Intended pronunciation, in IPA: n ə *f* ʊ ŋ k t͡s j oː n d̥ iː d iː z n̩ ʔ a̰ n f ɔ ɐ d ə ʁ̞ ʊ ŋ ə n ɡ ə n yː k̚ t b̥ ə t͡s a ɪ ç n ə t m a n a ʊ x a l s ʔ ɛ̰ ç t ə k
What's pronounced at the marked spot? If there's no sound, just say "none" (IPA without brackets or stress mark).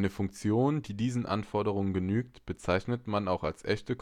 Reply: f